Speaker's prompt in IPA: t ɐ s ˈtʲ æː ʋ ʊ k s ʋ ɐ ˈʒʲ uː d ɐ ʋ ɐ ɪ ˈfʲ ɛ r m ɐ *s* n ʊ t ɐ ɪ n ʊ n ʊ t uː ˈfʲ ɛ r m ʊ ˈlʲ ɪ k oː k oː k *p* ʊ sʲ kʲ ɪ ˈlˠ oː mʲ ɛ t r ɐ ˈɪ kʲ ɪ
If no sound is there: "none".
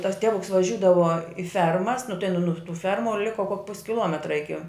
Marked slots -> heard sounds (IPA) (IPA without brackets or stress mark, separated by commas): s, p